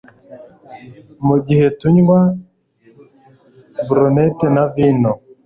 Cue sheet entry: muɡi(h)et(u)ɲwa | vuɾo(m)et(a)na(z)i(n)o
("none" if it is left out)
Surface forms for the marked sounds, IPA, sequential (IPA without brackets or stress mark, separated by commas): h, u, n, e, v, n